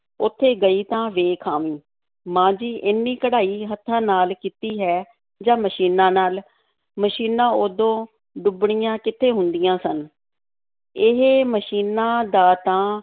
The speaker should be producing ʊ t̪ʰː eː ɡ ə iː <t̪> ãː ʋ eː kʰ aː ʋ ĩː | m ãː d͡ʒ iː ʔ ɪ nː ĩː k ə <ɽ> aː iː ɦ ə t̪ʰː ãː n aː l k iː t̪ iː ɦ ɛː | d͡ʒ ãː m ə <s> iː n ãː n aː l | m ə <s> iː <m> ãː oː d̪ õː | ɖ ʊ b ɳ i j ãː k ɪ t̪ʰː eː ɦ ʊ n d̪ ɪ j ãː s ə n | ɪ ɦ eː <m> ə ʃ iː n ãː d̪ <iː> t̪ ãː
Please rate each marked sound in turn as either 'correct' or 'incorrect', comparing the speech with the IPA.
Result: correct, correct, incorrect, incorrect, incorrect, correct, incorrect

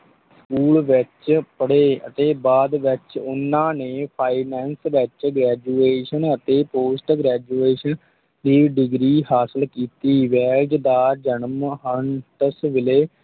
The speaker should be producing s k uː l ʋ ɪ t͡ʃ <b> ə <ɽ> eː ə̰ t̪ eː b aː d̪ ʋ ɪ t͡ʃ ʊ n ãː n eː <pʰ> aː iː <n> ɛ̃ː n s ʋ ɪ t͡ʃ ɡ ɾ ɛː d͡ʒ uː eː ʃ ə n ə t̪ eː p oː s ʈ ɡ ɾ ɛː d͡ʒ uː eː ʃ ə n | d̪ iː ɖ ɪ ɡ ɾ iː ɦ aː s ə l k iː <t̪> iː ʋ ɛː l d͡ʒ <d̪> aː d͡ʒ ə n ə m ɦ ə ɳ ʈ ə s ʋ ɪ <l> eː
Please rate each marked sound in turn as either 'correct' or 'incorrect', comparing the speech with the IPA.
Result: incorrect, correct, correct, correct, correct, correct, correct

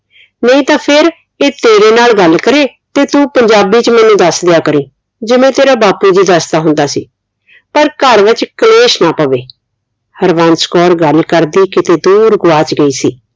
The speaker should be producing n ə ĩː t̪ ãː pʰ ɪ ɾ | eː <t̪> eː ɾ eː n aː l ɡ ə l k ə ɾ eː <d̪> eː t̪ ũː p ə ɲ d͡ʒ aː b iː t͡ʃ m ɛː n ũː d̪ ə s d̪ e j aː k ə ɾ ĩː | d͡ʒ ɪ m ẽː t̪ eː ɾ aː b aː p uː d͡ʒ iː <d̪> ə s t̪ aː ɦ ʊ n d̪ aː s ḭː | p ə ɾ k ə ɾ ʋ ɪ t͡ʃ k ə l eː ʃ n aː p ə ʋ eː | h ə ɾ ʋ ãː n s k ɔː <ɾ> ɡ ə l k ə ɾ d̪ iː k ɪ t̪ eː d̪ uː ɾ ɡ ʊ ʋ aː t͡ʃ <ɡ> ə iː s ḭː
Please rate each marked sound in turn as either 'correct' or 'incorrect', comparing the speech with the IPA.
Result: correct, incorrect, correct, correct, correct

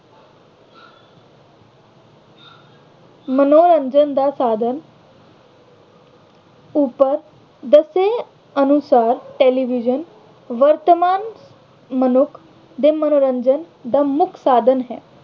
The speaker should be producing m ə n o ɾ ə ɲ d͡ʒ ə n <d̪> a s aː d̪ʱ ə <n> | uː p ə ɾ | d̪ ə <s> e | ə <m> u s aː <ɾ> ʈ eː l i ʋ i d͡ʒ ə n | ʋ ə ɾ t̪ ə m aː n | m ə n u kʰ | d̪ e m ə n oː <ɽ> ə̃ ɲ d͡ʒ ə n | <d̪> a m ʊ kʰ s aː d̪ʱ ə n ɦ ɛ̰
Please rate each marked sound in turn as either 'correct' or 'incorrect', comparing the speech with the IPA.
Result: correct, correct, correct, incorrect, correct, incorrect, correct

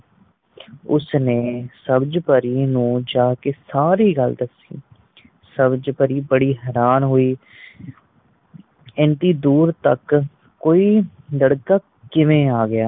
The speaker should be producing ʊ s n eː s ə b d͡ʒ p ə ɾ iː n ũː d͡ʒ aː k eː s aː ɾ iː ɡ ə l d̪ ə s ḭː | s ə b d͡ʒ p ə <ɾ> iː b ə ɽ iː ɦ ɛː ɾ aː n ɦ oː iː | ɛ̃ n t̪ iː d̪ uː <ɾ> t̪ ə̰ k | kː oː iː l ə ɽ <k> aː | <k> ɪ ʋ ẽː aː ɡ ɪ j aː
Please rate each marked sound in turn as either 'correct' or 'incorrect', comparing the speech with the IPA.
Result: correct, correct, correct, correct

